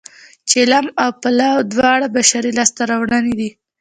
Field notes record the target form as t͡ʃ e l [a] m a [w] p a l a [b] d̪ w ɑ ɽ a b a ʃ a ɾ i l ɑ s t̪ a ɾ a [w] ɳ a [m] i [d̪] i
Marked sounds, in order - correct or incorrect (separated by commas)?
correct, correct, incorrect, correct, incorrect, correct